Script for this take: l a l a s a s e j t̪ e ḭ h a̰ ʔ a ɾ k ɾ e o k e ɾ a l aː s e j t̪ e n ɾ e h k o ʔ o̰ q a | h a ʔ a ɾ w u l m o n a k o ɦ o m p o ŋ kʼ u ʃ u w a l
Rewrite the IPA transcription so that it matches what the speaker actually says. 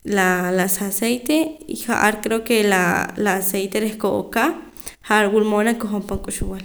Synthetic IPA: l a l a s a s e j t̪ e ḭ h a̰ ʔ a ɾ k ɾ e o k e l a l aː s e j t̪ e ɾ e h k o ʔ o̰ k a | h a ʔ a ɾ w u l m o n a k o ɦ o m p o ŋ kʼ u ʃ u w a l